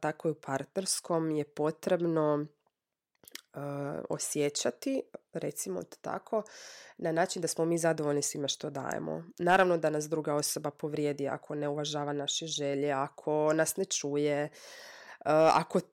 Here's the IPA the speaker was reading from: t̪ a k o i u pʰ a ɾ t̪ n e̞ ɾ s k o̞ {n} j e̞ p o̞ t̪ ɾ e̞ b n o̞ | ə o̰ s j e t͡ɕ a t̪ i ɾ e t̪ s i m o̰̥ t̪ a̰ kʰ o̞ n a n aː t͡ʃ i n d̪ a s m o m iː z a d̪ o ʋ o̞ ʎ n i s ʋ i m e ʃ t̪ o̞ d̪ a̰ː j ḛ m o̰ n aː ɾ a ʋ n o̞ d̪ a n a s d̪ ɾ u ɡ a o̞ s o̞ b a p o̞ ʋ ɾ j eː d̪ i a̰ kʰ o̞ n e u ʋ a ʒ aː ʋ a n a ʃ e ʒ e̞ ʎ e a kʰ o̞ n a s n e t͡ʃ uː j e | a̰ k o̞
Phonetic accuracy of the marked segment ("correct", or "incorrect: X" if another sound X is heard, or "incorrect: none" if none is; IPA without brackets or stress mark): incorrect: m